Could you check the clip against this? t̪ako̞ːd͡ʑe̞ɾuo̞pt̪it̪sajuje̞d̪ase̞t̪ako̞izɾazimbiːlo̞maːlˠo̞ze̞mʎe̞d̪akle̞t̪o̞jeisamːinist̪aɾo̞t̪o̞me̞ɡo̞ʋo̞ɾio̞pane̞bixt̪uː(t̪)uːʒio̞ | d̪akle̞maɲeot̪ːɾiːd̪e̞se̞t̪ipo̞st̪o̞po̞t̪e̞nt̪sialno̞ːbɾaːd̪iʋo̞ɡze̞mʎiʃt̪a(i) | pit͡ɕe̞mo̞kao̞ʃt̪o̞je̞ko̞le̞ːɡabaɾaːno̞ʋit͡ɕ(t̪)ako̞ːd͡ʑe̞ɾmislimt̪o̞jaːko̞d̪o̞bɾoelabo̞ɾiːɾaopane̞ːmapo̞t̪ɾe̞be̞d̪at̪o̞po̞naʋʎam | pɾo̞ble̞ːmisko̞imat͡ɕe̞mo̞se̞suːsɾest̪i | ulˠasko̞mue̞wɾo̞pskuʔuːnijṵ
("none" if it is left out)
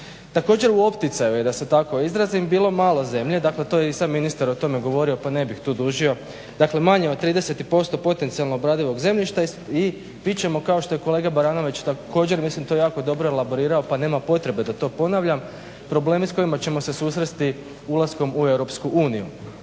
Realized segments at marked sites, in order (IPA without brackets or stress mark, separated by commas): d̪, i, t̪